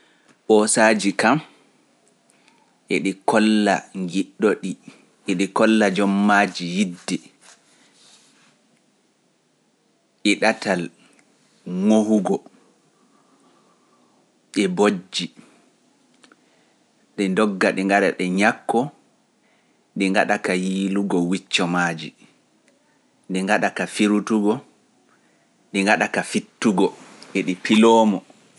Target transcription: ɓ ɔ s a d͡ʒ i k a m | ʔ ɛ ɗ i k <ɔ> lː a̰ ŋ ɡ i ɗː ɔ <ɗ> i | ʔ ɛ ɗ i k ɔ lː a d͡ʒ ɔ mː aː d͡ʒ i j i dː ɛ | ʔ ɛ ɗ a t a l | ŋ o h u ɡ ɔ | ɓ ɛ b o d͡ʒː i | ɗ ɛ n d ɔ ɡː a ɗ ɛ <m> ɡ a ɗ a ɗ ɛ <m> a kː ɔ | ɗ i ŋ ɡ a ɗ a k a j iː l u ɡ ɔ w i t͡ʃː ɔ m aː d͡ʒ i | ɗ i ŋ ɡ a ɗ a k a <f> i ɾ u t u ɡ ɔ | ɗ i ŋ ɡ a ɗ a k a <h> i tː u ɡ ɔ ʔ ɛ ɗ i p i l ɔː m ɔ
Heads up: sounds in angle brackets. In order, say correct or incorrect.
correct, correct, incorrect, incorrect, correct, incorrect

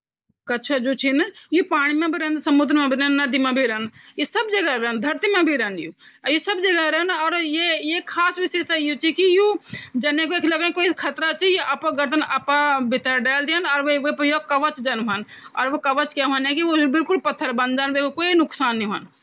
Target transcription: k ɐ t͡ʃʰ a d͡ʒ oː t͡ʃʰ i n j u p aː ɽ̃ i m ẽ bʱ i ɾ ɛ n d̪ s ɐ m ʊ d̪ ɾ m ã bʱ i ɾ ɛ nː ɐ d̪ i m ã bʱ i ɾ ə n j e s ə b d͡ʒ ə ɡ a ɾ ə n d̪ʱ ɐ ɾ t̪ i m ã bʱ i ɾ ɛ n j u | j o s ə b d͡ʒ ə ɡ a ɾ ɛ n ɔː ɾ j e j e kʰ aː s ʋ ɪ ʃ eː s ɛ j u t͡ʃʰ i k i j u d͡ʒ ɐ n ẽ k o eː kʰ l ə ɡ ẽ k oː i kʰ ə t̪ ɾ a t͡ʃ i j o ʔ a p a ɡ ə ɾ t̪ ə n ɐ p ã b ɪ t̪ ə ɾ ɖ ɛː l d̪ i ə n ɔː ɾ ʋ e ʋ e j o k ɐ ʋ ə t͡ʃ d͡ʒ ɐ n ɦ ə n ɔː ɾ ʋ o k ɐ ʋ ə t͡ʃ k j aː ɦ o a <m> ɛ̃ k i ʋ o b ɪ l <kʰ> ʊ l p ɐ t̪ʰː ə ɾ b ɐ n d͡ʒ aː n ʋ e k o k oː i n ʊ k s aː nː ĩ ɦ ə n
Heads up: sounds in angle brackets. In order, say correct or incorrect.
incorrect, incorrect

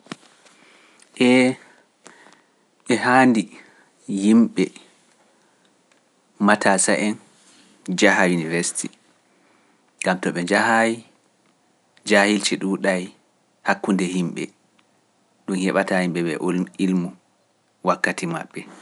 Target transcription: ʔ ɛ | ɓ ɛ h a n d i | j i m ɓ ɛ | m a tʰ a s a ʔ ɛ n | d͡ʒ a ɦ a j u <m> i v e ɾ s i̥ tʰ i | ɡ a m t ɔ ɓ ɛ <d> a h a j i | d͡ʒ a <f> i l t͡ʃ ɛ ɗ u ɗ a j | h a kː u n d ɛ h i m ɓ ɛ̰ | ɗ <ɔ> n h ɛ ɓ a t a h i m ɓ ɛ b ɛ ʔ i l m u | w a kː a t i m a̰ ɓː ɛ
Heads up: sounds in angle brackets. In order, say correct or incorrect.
incorrect, incorrect, incorrect, incorrect

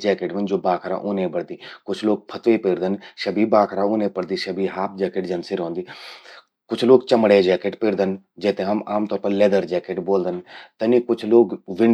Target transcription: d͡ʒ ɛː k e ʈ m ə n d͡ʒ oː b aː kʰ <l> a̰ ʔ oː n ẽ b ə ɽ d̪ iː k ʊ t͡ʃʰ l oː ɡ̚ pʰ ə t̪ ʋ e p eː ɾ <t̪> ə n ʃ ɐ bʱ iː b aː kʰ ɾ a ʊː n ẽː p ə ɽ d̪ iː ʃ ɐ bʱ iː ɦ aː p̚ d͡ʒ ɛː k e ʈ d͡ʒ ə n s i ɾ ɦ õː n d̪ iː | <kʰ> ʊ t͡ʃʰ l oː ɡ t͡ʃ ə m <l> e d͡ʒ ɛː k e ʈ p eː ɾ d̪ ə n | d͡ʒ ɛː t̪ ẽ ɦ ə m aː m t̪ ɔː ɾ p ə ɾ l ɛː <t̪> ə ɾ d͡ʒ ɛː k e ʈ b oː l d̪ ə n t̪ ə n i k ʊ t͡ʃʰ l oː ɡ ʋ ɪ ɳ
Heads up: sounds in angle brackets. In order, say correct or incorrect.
incorrect, incorrect, incorrect, incorrect, incorrect

